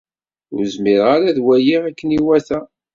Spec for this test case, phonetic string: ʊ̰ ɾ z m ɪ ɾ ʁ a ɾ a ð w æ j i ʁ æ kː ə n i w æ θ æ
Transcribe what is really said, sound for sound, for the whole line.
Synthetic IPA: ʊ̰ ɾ z m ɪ ɾ ʁ a ɾ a ð w æ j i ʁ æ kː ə n i w æ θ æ